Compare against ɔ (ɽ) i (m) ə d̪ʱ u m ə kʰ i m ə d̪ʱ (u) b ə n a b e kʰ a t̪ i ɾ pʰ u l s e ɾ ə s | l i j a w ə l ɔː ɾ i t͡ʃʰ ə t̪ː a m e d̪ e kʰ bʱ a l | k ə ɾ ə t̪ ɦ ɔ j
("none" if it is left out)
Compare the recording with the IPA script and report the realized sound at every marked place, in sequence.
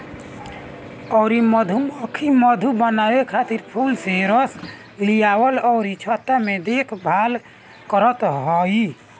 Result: ɾ, m, u

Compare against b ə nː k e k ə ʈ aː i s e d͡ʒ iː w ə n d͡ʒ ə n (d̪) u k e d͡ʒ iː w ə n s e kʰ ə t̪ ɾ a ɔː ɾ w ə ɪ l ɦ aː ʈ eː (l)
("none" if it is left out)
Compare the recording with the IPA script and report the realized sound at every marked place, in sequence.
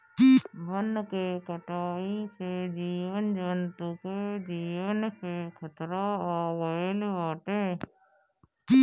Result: t̪, none

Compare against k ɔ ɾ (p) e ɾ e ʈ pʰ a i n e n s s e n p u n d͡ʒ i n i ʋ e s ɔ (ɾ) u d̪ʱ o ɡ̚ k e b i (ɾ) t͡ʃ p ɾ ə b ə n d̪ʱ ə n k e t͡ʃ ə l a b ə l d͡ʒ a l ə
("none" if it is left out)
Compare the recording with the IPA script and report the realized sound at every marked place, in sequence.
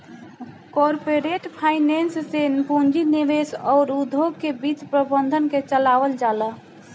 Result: p, ɾ, none

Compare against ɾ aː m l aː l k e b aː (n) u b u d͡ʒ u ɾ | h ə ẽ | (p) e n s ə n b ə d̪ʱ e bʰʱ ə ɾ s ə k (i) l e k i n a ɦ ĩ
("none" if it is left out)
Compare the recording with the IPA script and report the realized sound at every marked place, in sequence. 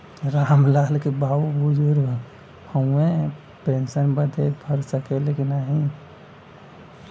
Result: none, p, e

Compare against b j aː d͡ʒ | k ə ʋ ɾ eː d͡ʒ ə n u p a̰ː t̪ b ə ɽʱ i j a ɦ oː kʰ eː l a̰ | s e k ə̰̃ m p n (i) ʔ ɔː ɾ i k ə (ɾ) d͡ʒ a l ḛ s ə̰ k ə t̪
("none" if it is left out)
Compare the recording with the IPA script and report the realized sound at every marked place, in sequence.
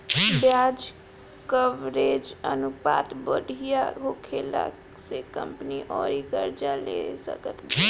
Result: i, ɾ

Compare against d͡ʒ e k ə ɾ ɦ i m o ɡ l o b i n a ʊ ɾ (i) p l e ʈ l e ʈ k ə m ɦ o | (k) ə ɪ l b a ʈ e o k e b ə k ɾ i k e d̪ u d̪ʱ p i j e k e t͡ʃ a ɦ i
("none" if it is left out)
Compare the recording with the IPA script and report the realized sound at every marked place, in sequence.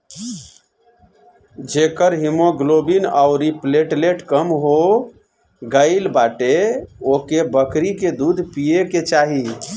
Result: i, ɡ

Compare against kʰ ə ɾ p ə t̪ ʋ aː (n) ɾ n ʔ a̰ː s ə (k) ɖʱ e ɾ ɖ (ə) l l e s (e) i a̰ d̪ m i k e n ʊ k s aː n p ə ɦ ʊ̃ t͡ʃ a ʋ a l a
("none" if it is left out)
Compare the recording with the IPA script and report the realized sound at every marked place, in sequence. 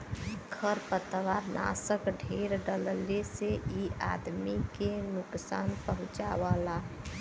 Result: none, k, ə, e

